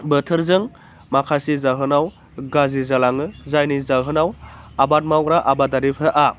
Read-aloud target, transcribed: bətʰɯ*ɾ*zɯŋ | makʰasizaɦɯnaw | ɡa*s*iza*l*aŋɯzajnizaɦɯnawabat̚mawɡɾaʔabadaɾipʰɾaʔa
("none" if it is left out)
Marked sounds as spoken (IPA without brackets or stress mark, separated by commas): ɾ, z, l